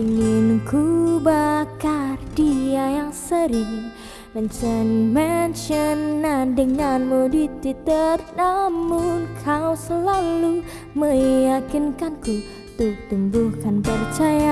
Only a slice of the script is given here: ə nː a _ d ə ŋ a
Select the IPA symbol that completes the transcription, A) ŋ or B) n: B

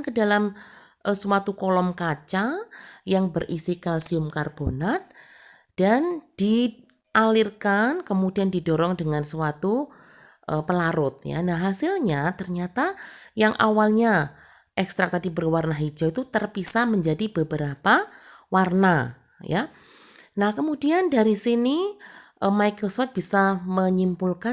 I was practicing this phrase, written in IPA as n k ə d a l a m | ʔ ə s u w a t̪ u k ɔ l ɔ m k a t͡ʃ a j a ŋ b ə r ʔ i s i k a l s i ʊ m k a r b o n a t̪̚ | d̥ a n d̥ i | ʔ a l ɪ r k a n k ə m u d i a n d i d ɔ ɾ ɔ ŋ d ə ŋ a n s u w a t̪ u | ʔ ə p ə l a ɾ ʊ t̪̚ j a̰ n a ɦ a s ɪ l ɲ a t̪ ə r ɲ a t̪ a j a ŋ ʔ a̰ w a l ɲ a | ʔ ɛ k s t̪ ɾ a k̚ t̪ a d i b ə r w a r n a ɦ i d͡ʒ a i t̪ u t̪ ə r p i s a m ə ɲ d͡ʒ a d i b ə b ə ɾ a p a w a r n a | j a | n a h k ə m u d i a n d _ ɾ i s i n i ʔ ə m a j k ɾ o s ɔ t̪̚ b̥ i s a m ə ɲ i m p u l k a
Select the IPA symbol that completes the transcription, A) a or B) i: A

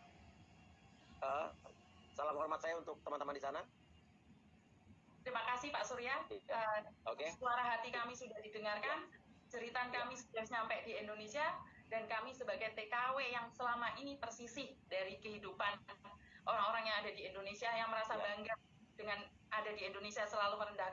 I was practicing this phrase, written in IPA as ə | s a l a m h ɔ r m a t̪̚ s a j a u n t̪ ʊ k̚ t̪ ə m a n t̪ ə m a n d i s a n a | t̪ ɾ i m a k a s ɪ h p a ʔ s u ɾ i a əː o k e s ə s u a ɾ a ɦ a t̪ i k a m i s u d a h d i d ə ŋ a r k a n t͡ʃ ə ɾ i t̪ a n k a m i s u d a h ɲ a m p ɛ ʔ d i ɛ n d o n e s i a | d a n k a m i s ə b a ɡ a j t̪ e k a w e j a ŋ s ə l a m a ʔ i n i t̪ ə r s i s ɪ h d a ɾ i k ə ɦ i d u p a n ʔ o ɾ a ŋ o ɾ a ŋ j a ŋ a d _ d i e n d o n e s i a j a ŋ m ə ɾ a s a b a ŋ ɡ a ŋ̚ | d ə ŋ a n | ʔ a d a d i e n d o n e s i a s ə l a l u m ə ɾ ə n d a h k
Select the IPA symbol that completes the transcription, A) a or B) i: A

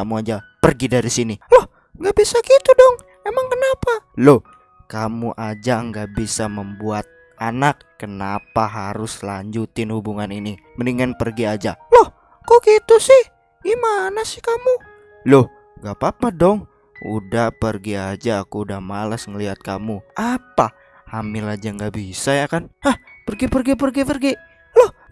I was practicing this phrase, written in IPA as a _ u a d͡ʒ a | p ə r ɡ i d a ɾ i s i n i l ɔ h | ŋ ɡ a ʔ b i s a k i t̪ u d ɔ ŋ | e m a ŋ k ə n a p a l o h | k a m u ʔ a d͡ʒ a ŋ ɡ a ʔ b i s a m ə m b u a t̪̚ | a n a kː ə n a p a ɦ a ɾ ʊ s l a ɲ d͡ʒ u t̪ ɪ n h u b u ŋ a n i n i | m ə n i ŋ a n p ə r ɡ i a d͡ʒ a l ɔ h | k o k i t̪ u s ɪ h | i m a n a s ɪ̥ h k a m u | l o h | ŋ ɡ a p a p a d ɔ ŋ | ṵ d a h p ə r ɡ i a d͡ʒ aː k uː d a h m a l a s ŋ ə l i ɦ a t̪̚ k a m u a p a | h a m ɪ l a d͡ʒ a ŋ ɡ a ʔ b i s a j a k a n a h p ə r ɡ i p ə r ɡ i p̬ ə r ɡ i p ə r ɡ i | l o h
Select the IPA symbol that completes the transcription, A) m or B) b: A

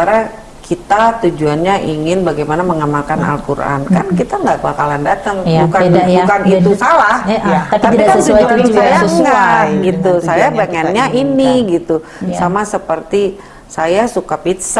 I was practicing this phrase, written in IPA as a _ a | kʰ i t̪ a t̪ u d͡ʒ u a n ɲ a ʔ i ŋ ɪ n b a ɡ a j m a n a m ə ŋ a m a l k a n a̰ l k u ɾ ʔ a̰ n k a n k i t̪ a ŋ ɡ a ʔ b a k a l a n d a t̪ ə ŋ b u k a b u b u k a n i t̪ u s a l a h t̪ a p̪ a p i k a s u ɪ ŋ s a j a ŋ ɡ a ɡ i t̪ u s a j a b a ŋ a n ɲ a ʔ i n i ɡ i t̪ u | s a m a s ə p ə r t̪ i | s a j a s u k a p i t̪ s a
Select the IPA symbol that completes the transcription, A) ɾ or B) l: A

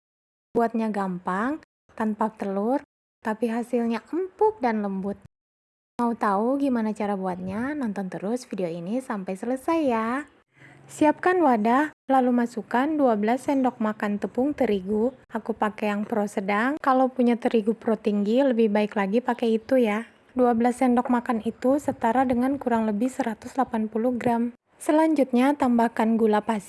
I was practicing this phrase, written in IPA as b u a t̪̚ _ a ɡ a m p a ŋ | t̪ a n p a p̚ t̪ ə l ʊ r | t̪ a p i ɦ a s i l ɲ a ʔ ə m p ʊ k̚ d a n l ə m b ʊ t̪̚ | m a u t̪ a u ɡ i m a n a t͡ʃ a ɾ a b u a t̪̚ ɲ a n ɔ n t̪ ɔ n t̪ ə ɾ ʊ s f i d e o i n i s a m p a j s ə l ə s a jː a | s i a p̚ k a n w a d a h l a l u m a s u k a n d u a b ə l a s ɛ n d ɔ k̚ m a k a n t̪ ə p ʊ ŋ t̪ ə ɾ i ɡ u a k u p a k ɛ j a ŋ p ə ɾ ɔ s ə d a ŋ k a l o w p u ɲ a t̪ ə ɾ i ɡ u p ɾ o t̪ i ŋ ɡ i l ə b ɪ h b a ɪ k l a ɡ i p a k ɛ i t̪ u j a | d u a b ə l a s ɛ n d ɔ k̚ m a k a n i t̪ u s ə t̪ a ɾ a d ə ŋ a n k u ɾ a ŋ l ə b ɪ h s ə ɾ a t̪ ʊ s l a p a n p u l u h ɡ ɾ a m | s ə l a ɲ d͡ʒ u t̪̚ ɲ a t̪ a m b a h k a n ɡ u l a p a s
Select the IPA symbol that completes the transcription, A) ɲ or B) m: A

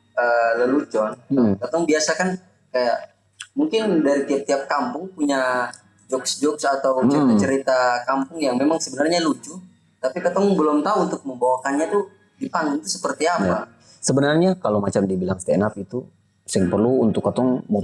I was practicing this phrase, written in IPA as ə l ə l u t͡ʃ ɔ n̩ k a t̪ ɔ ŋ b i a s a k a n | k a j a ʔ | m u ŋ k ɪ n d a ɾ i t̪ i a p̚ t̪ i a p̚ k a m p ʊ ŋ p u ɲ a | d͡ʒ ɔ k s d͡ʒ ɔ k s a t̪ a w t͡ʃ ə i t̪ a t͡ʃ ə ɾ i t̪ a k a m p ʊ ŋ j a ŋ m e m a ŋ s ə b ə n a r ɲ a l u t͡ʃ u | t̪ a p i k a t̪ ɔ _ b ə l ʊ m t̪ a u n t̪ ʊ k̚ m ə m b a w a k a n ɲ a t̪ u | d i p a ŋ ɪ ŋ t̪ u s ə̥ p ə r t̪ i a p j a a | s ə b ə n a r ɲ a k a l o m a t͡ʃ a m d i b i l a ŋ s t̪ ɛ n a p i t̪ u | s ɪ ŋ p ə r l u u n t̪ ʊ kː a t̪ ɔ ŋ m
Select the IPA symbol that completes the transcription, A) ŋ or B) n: A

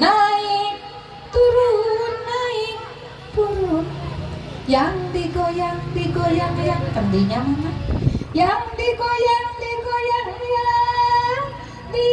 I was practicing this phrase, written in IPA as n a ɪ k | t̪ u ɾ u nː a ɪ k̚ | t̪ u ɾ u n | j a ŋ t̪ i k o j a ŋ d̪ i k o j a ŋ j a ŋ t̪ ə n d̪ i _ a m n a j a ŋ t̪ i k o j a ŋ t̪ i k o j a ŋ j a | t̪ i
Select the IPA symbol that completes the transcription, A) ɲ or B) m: A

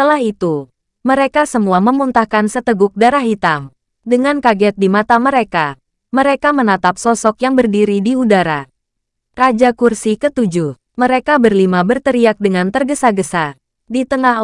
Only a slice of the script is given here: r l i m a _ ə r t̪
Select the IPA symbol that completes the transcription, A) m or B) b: B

